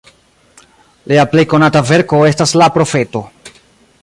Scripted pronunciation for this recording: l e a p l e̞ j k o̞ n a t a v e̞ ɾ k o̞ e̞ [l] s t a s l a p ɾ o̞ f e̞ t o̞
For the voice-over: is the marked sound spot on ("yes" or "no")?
no